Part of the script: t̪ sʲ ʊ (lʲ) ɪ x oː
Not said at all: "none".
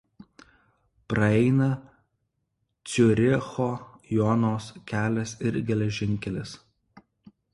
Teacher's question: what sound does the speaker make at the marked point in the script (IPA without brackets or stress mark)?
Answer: ɾʲ